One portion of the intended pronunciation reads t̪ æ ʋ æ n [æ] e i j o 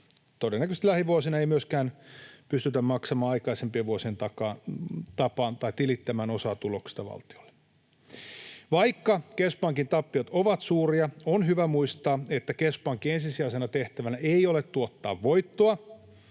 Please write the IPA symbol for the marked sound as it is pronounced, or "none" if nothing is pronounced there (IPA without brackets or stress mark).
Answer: æ